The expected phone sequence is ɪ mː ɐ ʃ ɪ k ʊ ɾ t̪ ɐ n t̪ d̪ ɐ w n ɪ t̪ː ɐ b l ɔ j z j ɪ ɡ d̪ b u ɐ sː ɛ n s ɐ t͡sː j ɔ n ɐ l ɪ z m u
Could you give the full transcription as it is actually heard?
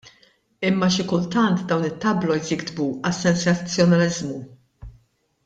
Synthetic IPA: ɪ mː ɐ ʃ ɪ k ʊ l t̪ ɐ n t̪ d̪ ɐ w n ɪ t̪ː ɐ b l ɔ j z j ɪ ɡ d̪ b u ɐ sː ɛ n s ɐ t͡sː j ɔ n ɐ l ɪ z m u